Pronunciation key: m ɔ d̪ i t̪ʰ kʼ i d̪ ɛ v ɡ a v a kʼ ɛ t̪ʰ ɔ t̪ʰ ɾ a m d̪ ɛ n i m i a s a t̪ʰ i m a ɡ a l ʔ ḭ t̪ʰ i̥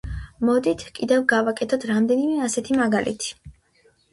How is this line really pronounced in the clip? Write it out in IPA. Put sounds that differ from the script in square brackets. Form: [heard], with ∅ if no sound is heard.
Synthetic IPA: m ɔ d̪ i t̪ʰ kʼ i d̪ ɛ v ɡ a v a kʼ ɛ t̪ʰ ɔ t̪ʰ ɾ a m d̪ ɛ n i m [ɛ] a s [ɛ] t̪ʰ i m a ɡ a l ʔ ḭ t̪ʰ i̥